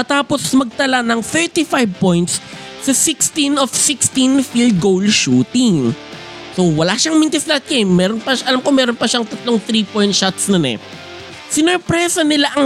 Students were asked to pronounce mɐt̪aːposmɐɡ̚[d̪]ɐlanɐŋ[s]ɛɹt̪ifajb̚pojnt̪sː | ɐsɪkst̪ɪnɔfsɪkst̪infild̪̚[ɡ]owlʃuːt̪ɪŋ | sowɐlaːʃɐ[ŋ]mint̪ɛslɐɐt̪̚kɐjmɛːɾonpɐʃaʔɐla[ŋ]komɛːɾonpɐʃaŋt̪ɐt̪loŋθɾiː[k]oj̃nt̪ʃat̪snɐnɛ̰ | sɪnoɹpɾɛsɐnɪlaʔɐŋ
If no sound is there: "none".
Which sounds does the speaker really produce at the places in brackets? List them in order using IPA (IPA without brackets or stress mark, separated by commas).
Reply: t̪, θ, ɡ, ŋ, m, p